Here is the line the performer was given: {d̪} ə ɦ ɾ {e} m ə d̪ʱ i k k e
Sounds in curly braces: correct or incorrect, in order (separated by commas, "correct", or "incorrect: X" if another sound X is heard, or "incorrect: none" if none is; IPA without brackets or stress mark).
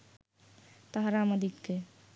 incorrect: t̪, incorrect: a